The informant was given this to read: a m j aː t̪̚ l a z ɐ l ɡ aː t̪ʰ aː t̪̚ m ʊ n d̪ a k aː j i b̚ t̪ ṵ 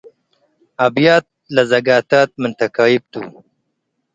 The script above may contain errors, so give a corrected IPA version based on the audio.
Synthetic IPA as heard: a b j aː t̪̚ l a z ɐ ɡ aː t̪ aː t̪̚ m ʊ n t̪ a k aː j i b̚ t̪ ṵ